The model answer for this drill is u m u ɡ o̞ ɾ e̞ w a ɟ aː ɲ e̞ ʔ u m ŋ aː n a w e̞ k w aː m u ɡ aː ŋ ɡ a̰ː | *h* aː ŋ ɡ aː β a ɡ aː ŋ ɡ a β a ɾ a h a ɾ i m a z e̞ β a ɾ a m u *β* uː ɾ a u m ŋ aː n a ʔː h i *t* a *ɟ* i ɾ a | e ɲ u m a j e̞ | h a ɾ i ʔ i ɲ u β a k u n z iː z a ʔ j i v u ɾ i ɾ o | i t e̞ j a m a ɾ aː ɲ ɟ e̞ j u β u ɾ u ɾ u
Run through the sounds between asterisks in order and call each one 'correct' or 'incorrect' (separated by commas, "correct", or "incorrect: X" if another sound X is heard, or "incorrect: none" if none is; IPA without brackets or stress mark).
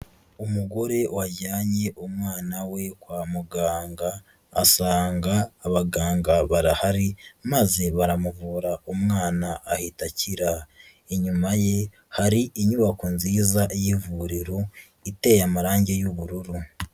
incorrect: s, incorrect: v, correct, incorrect: c